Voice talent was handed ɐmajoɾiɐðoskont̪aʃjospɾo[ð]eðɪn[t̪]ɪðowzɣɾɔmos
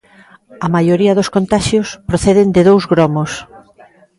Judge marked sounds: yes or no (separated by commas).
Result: no, no